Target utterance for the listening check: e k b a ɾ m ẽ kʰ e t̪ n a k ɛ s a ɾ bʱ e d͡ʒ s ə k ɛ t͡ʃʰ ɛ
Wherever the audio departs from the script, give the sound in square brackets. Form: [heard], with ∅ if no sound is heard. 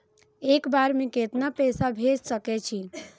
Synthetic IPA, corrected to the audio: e k b a ɾ m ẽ [k] e t̪ n a [p] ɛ s a [∅] bʱ e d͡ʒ s ə k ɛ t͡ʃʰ [i]